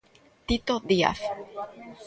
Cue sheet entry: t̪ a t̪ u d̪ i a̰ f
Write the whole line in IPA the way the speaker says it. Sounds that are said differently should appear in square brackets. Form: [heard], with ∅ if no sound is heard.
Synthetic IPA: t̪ [i] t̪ [o] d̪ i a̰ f